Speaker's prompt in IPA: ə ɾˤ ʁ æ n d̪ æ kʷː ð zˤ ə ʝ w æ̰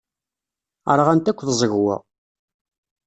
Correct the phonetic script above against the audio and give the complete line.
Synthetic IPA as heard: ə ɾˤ ʁ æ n t̪ æ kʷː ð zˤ ə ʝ w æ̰